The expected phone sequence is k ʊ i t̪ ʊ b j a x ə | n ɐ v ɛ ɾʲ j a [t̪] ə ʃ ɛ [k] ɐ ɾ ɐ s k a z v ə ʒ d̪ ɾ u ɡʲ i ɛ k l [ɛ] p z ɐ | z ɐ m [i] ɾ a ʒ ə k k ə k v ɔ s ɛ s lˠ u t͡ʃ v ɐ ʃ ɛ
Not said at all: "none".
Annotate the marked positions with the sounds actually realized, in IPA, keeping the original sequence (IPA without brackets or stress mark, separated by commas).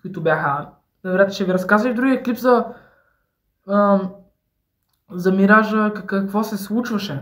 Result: t̪, ɡ, i, i